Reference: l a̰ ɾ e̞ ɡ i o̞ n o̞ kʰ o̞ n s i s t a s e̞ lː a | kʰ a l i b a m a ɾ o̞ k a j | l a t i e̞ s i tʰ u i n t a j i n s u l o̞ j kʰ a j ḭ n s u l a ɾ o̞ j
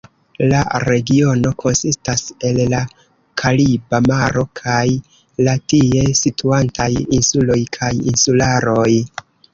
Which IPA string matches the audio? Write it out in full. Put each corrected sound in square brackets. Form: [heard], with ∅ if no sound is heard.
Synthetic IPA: l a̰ ɾ e̞ ɡ i o̞ n o̞ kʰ o̞ n s i s t a s e̞ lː a | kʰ a l i b a m a ɾ o̞ [kʰ] a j | l a t i e̞ s i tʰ u [a] n t a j i n s u l o̞ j kʰ a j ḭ n s u l a ɾ o̞ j